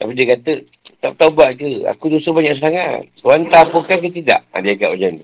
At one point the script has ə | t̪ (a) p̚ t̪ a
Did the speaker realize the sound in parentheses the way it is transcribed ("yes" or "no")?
yes